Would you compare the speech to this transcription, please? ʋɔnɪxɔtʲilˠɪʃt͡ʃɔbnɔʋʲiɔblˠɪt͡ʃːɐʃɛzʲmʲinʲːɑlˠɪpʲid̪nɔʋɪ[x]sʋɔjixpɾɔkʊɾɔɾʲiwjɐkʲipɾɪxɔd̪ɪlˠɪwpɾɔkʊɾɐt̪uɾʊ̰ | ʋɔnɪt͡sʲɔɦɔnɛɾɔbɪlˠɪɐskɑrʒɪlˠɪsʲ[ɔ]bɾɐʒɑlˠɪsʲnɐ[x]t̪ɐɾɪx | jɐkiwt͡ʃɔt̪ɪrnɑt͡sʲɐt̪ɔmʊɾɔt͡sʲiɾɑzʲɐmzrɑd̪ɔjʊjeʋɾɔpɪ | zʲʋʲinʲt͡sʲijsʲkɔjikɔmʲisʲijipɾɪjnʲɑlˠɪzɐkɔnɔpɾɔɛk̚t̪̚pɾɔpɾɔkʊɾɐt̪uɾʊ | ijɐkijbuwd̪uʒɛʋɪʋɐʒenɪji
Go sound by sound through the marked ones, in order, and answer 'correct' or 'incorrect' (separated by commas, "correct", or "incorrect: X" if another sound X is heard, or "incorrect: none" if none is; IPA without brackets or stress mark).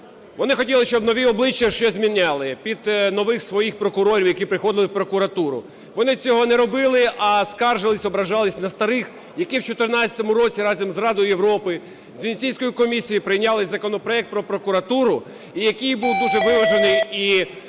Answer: correct, correct, incorrect: s